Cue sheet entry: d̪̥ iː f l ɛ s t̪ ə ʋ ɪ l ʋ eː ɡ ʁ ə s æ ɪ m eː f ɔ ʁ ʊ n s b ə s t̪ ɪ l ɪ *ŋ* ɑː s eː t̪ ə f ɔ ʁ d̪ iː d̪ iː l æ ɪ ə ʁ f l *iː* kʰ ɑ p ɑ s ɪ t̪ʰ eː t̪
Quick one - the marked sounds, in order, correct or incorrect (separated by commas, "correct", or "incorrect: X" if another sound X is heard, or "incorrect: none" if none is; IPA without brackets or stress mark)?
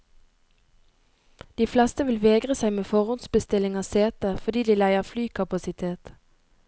correct, incorrect: yː